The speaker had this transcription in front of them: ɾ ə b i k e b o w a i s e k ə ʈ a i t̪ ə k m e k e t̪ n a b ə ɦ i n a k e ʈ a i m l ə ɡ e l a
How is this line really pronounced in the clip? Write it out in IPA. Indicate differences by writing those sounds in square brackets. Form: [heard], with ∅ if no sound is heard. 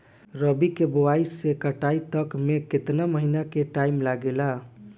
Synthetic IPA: ɾ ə b i k e b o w a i s e k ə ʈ a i t̪ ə k m e k e t̪ n a [m] ə ɦ i n a k e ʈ a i m l [a] ɡ e l a